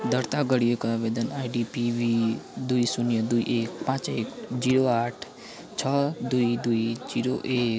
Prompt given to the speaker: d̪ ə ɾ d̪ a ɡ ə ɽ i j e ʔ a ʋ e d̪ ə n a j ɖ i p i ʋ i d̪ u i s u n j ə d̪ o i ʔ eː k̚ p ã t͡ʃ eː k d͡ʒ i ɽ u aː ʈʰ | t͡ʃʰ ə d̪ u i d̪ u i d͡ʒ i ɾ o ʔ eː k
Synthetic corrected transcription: d̪ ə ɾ t̪ a ɡ ə ɽ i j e k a ʋ e d̪ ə n a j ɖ i p i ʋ i d̪ u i s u n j ə d̪ u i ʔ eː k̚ p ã t͡ʃ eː k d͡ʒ i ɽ o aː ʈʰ | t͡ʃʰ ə d̪ u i d̪ u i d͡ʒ i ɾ o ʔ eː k